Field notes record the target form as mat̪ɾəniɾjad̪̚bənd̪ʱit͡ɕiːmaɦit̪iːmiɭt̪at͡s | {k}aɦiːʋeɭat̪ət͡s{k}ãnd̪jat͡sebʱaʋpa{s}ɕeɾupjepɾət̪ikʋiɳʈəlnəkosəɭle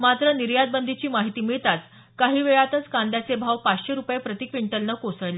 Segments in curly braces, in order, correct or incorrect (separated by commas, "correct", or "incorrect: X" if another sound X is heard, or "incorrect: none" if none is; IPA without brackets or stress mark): correct, correct, incorrect: t͡s